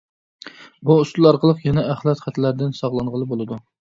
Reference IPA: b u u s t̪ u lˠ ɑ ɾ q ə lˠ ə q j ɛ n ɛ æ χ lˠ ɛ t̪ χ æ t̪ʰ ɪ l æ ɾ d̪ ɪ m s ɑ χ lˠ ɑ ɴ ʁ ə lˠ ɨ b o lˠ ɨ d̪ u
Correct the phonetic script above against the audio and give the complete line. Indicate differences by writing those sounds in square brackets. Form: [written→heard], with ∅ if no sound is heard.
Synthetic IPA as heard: b u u s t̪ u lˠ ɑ ɾ q ə lˠ ə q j ɛ n ɛ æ χ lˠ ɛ t̪ χ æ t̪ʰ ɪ l æ ɾ d̪ ɪ [m→n] s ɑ [χ→ʁ] lˠ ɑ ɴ ʁ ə lˠ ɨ b o lˠ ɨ d̪ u